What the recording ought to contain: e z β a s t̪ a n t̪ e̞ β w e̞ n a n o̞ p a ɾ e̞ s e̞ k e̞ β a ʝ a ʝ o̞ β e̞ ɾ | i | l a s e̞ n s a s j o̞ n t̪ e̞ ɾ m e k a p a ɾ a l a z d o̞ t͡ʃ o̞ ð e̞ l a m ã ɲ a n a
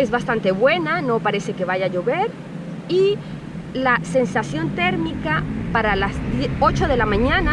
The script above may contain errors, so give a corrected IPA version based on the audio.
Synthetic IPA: e z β a s t̪ a n t̪ e̞ β w e̞ n a n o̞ p a ɾ e̞ s e̞ k e̞ β a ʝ a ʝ o̞ β e̞ ɾ | i | l a s e̞ n s a s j o̞ n t̪ e̞ ɾ m i k a p a ɾ a l a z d o̞ t͡ʃ o̞ ð e̞ l a m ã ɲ a n a

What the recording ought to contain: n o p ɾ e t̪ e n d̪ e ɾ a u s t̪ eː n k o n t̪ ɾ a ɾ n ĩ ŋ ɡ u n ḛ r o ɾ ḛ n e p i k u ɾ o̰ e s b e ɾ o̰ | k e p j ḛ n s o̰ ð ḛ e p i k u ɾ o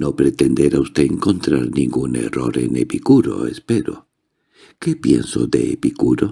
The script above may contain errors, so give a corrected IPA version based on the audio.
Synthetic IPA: n o p ɾ e t̪ e n d̪ e ɾ a u s t̪ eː ŋ k o n t̪ ɾ a ɾ n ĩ ŋ ɡ u n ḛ r o ɾ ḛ n e p i k u ɾ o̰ e s p e ɾ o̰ | k e p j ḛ n s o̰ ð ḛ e p i k u ɾ o

